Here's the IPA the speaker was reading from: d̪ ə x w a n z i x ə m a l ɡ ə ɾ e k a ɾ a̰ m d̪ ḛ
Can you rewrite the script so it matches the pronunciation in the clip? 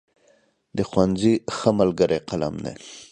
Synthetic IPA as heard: d̪ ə x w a n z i x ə m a l ɡ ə ɾ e q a l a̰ m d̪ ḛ